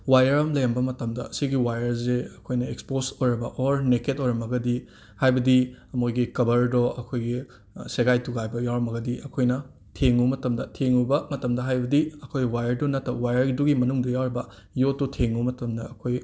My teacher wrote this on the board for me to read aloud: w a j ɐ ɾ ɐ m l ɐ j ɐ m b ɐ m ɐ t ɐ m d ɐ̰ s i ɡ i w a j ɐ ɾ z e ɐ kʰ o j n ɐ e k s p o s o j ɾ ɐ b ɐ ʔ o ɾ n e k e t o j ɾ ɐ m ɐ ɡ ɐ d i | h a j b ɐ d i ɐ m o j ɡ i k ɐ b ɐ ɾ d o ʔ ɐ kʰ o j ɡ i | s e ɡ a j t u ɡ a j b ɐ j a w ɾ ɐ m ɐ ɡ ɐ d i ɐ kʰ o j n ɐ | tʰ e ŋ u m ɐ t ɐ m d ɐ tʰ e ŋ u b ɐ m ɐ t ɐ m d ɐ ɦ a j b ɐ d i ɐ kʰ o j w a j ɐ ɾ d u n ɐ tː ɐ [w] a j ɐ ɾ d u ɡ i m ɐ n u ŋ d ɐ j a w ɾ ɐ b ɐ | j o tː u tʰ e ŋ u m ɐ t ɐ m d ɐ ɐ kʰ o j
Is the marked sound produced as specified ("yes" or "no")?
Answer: yes